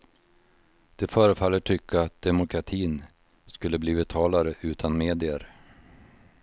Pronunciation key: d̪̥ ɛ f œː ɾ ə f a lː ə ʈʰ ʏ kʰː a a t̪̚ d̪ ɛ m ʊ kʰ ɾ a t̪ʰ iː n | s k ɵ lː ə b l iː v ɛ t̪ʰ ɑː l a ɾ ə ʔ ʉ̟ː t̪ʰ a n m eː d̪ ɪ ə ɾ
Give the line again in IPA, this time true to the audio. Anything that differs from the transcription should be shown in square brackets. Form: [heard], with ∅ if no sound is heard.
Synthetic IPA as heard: d̪̥ ɛ f œː ɾ ə f a lː ə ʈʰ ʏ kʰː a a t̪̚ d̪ ɛ m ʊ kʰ ɾ a t̪ʰ iː n | s k ɵ lː ə b l iː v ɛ t̪ʰ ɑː l a ɾ ə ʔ ʉ̟ː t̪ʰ a n m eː d̪ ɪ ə ɾ

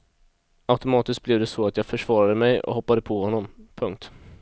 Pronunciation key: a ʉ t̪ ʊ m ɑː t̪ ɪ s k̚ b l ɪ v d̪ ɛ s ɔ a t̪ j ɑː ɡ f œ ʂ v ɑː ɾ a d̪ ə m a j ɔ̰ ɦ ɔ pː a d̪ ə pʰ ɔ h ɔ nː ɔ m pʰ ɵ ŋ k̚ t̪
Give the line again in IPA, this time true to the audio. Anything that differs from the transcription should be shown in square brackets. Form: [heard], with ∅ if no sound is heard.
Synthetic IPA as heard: a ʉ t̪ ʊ m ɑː t̪ ɪ s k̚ b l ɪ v d̪ ɛ s ɔ a t̪ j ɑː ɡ f œ ʂ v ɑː ɾ a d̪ ə m [ɛ] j ɔ̰ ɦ ɔ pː a d̪ ə pʰ ɔ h ɔ nː ɔ m pʰ ɵ ŋ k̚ t̪

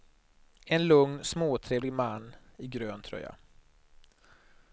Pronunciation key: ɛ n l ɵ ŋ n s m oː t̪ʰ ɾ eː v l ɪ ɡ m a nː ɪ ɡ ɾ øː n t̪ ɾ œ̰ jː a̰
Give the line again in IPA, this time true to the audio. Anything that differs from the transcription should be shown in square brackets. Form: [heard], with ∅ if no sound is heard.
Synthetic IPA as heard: ɛ n l ɵ ŋ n s m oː t̪ʰ ɾ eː v l ɪ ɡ m a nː ɪ ɡ ɾ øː n [t̪ʰ] ɾ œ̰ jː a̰

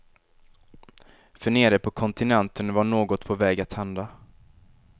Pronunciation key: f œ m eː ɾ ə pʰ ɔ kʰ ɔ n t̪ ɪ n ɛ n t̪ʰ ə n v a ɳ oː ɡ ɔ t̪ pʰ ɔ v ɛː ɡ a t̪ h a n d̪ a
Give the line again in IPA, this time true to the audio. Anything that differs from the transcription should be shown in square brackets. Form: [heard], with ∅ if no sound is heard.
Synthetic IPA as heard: f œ [ɳ] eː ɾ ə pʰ ɔ kʰ ɔ n t̪ ɪ n ɛ n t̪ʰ ə n v a ɳ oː ɡ ɔ t̪ pʰ ɔ v ɛː ɡ a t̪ h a n d̪ a

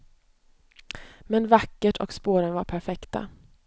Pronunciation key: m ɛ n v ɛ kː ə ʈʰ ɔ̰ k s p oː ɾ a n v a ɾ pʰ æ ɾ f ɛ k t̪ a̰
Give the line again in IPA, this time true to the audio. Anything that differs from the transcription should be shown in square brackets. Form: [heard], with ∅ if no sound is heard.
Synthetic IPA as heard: m ɛ n v [a] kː ə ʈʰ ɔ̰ k s p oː ɾ [ə] n v a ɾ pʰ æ ɾ f ɛ k t̪ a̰

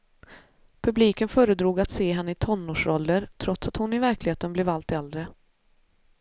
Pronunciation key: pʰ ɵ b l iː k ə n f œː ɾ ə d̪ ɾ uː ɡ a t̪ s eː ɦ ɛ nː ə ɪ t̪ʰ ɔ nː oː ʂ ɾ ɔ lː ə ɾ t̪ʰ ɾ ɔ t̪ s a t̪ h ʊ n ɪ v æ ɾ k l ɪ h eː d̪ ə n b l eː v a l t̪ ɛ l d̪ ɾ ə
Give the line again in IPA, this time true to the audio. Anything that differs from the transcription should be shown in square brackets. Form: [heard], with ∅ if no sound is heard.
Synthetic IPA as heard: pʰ ɵ b l iː k ə n f œː ɾ ə d̪ ɾ uː ɡ a t̪ s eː ɦ ɛ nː ə ɪ t̪ʰ ɔ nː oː ʂ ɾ ɔ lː ə ɾ t̪ʰ ɾ ɔ t̪ s a t̪ h ʊ n ɪ v æ ɾ k l ɪ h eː [t̪] ə n b l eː v a l t̪ ɛ l d̪ ɾ ə

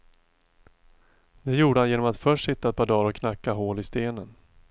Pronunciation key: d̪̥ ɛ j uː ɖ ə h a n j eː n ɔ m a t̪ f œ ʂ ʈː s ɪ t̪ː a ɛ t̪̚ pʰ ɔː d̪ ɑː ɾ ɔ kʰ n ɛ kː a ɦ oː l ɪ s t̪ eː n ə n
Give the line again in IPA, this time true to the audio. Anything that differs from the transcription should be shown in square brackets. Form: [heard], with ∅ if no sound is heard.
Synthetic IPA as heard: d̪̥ ɛ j uː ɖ ə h a n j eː n ɔ m a t̪ f œ ʂ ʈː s ɪ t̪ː a ɛ t̪̚ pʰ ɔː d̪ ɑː ɾ ɔ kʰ n [a] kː a ɦ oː l ɪ s t̪ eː n ə n

